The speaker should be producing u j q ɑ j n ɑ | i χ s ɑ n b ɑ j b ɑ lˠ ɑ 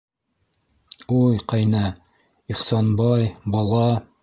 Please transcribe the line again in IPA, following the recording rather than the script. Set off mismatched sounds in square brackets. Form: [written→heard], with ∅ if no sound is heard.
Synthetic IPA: u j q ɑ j n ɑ | i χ s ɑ n b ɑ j b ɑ lˠ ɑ